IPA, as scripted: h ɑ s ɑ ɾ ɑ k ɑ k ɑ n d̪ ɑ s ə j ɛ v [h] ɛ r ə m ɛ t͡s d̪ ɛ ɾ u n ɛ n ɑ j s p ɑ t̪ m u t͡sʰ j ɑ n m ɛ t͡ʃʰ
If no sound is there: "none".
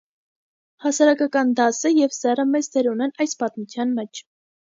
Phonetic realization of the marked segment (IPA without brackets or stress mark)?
s